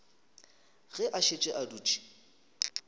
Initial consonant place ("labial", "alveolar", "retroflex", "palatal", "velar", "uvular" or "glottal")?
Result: velar